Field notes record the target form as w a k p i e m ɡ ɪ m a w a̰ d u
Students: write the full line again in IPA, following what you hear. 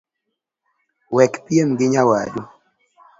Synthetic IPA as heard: w ɛ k p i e m ɡ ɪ ɲ a w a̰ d u